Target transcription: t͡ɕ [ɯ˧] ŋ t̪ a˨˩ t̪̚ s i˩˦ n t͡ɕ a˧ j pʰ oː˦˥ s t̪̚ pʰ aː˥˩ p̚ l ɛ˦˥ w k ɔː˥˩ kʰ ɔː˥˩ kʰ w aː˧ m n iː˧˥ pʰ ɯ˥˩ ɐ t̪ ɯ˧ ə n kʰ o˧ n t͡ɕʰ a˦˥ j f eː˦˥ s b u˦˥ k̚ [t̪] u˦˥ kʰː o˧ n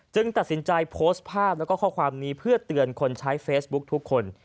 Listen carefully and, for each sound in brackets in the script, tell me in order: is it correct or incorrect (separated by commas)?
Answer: correct, incorrect